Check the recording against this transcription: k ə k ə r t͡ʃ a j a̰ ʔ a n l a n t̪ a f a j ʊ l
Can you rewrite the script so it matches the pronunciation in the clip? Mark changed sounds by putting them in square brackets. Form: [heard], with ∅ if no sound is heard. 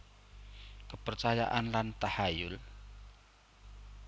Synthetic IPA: k ə [p] ə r t͡ʃ a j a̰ ʔ a n l a n t̪ a [h] a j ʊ l

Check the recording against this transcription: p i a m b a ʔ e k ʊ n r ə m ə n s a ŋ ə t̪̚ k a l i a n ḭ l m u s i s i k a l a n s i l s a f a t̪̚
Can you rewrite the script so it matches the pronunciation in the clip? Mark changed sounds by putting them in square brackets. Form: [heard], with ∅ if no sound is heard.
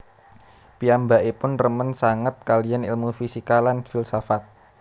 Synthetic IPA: p i a m b a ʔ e [p] ʊ n r ə m ə n s a ŋ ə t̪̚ k a l i a n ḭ l m u [f] i s i k a l a n [f] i l s a f a t̪̚

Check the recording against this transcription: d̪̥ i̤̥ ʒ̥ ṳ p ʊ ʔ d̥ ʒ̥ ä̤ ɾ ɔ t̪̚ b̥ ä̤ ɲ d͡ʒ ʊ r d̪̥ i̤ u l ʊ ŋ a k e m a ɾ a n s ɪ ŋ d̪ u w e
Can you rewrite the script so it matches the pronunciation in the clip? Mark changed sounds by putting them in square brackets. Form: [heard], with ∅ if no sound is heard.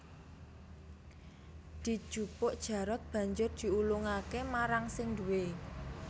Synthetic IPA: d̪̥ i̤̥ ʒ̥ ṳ p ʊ ʔ d̥ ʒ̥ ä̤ ɾ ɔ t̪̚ b̥ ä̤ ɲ d͡ʒ ʊ r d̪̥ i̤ u l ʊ ŋ a k e m a ɾ a [ŋ] s ɪ ŋ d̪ u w e

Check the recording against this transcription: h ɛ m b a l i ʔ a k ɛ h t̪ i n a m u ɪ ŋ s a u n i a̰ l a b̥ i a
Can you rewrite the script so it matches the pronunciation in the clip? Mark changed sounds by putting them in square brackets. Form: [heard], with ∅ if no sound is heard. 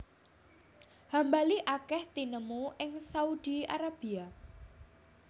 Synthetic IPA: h [a] m b a l i ʔ a k ɛ h t̪ i n [ə] m u ɪ ŋ s a u [d] i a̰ [ɾ] a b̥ i a

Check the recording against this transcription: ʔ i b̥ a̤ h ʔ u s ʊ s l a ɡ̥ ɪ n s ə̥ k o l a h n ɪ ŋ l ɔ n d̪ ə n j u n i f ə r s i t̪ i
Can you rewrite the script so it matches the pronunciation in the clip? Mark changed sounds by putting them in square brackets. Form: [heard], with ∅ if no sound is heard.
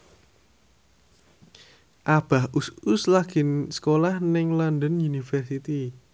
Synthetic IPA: ʔ [a] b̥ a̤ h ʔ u s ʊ s l a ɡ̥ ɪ n s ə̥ k o l a h n ɪ ŋ l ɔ n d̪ ə n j u n i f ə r s i t̪ i

